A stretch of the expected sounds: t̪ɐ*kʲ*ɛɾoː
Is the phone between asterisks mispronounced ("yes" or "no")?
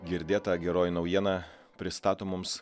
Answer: yes